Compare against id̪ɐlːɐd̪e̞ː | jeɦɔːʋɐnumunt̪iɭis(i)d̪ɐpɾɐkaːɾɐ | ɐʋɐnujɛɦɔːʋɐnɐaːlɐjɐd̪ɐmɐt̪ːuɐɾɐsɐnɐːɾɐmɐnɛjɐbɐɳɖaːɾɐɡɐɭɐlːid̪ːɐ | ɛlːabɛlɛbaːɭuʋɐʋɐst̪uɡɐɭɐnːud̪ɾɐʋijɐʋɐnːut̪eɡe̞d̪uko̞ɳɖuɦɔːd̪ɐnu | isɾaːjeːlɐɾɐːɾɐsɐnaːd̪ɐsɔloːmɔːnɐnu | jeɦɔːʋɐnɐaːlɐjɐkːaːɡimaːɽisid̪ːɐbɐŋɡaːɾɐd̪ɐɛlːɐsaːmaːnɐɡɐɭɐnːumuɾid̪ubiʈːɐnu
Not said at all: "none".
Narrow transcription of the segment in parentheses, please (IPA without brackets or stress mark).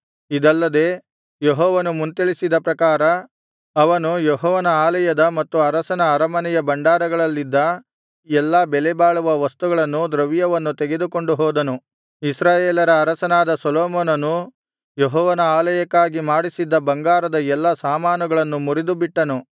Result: i